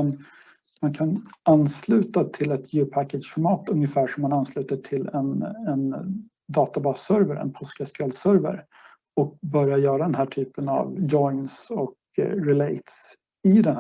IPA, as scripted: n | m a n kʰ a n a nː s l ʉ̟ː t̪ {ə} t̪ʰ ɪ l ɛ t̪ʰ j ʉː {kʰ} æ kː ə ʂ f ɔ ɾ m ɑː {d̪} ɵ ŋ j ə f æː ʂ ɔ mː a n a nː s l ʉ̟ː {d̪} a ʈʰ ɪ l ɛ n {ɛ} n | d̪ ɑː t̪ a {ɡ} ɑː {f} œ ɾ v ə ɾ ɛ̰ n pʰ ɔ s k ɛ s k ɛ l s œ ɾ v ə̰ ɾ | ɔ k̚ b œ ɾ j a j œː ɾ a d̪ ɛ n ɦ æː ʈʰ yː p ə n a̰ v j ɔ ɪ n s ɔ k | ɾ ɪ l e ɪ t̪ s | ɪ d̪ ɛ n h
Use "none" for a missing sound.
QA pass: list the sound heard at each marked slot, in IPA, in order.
a, pʰ, t̪, t̪, ɛ, b, s

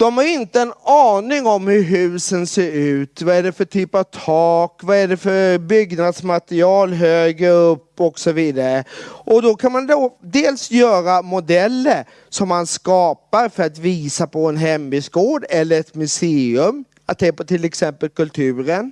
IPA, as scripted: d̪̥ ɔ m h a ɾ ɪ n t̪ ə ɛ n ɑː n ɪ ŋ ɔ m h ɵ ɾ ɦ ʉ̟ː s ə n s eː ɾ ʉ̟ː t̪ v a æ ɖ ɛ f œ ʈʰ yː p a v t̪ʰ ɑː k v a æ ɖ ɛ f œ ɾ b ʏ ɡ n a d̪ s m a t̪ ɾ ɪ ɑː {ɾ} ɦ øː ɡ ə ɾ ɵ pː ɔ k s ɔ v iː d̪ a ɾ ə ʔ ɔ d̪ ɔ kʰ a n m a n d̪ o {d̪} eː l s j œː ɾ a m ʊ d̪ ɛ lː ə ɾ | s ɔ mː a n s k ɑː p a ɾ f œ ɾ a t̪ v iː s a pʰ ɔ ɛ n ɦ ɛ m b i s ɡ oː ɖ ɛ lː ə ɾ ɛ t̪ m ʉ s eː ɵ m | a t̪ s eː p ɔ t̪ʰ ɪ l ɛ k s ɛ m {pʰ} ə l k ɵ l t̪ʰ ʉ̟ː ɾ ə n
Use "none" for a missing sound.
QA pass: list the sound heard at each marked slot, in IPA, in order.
l, d̪, p

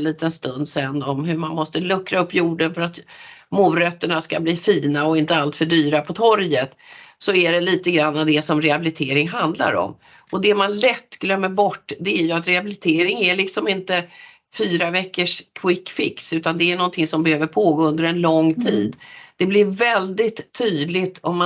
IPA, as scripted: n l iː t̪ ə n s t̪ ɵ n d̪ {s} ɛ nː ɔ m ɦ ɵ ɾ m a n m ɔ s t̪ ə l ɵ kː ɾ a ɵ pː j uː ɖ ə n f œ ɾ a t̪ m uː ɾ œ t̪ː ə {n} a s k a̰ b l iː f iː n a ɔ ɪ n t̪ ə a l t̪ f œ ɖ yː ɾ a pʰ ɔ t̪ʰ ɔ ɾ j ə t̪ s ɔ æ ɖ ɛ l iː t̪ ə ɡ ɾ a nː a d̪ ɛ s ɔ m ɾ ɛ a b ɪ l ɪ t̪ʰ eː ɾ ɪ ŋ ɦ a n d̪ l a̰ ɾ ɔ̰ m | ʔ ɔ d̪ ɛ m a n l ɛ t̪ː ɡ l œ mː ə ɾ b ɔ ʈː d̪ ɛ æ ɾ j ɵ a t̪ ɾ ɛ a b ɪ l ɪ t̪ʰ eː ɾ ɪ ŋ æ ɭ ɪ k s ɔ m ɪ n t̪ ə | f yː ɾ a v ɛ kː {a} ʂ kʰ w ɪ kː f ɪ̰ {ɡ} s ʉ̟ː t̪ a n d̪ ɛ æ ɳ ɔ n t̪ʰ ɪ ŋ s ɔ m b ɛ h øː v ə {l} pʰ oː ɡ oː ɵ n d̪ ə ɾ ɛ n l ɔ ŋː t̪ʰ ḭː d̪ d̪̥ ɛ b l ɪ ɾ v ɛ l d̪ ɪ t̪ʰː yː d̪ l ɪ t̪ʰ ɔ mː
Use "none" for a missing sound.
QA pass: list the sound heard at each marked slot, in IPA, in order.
s, ɳ, ə, k, ɾ

